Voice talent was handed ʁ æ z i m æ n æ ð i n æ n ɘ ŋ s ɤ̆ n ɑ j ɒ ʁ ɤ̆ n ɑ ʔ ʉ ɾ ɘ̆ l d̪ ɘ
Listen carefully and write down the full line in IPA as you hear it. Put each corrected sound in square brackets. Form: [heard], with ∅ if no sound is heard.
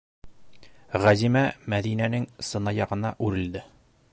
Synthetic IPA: ʁ æ z i m æ [m] æ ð i n æ n ɘ ŋ s ɤ̆ n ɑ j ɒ ʁ ɤ̆ n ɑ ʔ ʉ ɾ ɘ̆ l d̪ ɘ